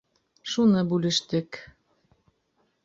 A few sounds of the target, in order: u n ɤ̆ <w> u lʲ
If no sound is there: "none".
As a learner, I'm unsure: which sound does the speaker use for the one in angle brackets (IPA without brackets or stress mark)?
b